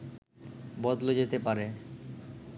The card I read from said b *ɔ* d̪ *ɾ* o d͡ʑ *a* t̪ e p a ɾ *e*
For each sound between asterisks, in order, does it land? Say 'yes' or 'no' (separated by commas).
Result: yes, no, no, yes